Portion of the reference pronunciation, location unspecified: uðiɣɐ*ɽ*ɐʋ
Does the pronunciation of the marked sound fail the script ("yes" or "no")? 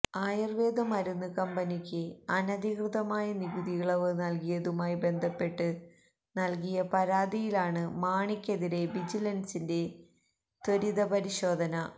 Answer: yes